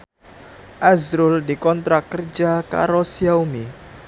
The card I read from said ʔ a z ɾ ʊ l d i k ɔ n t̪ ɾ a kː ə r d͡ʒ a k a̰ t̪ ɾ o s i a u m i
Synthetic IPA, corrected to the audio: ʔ a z ɾ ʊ l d i k ɔ n t̪ ɾ a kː ə r d͡ʒ a k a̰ ɾ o s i a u m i

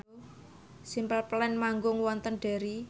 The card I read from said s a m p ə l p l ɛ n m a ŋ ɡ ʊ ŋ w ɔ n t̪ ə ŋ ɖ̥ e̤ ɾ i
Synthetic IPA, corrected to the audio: s i m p ə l p l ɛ n m a ŋ ɡ ʊ ŋ w ɔ n t̪ ə n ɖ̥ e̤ ɾ i

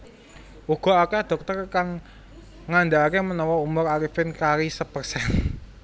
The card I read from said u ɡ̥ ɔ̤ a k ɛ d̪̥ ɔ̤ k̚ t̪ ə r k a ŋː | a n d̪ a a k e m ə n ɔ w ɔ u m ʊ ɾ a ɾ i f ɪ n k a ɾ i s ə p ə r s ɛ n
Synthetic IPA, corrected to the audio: u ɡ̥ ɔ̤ a k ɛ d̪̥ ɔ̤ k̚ t̪ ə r k a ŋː | a n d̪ a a k e m ə n ɔ w ɔ u m ʊ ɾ a ɾ i f ɪ n k a ɾ i s ə p ə r s ɛ n

